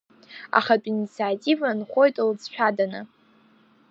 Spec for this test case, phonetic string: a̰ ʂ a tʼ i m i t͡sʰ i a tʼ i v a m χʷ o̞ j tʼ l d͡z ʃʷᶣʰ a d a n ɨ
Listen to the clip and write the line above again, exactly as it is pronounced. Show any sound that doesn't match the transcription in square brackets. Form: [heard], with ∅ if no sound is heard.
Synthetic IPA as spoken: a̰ [χ] a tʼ i [n] i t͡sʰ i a tʼ i v a [n] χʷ o̞ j tʼ l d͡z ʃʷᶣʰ a d a n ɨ